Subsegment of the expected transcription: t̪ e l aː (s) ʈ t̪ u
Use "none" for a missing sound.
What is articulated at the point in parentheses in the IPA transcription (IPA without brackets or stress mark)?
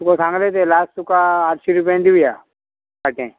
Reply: s